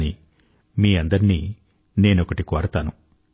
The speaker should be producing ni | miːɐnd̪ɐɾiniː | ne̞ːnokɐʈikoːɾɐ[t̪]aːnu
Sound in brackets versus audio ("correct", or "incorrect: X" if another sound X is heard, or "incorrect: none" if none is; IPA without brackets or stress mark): correct